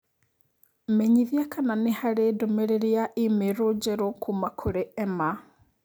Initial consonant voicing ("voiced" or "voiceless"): voiced